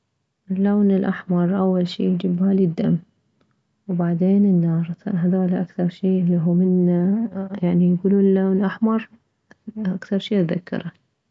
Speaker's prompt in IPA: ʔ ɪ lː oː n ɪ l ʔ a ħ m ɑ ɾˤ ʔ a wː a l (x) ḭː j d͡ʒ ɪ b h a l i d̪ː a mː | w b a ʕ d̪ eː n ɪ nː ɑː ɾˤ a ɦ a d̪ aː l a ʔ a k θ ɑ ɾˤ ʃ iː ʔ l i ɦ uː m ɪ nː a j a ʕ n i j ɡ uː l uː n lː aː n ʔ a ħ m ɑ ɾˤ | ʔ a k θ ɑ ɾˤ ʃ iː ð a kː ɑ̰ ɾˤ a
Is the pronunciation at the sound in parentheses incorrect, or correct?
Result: incorrect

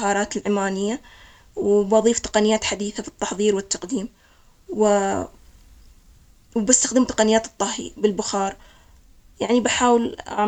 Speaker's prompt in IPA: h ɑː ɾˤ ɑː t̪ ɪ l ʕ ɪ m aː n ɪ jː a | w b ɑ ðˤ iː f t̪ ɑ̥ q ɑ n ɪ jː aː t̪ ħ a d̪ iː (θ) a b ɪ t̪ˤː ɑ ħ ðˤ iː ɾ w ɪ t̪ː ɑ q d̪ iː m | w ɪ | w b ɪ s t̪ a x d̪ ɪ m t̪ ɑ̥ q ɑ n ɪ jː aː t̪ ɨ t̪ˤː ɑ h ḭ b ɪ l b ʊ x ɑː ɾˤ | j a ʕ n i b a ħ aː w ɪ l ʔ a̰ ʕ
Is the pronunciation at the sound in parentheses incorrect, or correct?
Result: correct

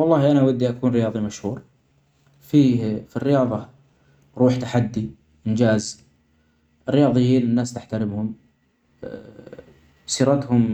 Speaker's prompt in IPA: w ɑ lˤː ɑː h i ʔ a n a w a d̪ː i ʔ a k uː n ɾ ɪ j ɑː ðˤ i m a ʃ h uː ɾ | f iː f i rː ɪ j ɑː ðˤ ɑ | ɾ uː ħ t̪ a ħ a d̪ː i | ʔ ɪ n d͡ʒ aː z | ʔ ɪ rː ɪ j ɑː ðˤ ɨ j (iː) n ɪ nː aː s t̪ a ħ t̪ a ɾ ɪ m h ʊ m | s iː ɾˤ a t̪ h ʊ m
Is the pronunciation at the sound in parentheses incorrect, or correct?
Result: correct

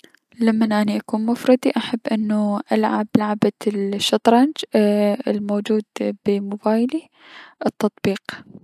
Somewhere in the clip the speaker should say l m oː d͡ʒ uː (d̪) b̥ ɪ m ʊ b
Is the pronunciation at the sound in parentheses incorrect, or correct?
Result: correct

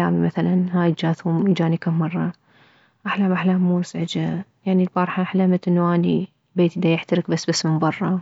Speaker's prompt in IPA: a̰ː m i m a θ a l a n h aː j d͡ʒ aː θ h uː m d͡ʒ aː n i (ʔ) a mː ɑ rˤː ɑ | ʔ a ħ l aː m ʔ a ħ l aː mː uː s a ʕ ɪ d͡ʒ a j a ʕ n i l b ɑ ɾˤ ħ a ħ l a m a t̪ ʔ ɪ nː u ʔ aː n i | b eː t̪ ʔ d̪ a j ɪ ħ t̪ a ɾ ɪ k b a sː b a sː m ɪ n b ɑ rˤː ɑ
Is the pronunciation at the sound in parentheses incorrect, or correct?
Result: incorrect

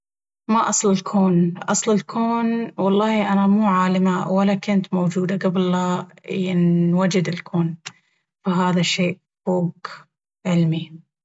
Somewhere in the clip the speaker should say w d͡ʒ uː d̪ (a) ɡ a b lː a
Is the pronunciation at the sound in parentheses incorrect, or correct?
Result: correct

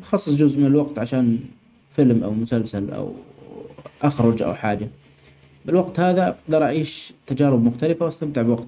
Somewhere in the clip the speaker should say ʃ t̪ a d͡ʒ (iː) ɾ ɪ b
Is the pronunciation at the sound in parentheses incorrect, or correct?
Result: incorrect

